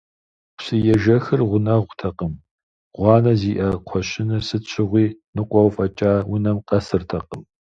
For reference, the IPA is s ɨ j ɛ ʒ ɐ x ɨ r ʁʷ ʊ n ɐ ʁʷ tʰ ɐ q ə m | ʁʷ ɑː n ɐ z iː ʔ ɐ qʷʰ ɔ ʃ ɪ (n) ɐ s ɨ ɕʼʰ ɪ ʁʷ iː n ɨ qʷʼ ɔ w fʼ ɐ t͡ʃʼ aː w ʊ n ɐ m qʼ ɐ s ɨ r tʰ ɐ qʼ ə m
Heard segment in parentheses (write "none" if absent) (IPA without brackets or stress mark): n